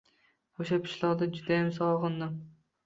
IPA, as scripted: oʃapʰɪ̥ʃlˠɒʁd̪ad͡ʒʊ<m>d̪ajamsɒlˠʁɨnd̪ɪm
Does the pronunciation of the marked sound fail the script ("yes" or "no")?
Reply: yes